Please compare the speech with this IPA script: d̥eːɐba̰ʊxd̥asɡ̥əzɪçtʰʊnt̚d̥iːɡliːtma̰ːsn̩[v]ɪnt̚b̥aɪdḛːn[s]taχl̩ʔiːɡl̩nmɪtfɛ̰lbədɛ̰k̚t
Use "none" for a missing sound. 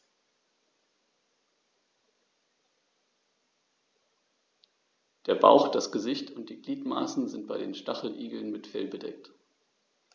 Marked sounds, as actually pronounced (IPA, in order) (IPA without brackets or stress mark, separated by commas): z, ʃ